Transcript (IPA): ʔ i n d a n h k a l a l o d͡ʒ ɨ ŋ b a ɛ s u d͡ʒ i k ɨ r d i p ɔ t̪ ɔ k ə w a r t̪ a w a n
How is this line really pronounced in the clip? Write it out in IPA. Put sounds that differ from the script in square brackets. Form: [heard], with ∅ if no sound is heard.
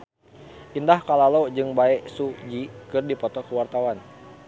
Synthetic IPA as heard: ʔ i n d a [∅] h k a l a l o d͡ʒ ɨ ŋ b a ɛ s u d͡ʒ i k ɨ r d i p ɔ t̪ ɔ k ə w a r t̪ a w a n